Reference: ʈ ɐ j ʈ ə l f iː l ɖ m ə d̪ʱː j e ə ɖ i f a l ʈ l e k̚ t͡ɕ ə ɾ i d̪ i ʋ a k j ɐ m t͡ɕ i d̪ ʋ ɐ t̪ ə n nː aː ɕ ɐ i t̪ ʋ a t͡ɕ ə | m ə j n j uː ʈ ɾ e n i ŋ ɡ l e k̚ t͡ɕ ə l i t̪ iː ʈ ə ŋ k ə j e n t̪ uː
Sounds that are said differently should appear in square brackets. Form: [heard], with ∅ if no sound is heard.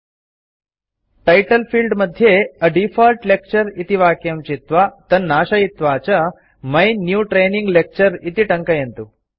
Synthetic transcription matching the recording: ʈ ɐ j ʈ ə l f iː l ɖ m ə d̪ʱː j e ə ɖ i f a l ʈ l e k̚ t͡ɕ ə ɾ i [t̪] i ʋ a k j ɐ m t͡ɕ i [t̪] ʋ [a] t̪ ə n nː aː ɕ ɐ i t̪ ʋ a t͡ɕ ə | m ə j n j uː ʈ ɾ e n i ŋ ɡ l e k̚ t͡ɕ ə [ɾ] i t̪ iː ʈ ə ŋ k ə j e n t̪ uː